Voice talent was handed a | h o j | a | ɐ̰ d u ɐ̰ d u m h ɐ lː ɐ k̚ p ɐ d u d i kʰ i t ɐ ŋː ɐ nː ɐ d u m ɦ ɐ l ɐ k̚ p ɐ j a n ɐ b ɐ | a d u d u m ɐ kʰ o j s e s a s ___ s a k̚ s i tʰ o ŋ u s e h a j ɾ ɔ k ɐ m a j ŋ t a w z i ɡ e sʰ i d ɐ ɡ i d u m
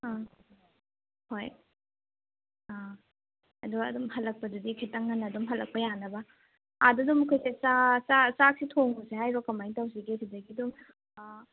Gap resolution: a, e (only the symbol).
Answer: a